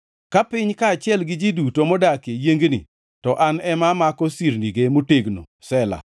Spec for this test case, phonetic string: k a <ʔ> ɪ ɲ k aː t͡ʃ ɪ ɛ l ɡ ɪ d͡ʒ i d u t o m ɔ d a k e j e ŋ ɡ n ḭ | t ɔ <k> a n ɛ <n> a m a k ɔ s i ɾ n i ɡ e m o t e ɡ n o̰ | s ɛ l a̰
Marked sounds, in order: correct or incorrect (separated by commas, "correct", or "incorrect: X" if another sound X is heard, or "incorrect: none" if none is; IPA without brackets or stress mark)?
incorrect: p, incorrect: ʔ, incorrect: m